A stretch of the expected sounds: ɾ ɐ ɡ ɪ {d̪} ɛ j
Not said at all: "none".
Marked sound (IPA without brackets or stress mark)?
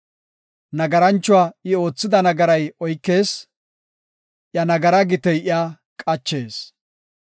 t̪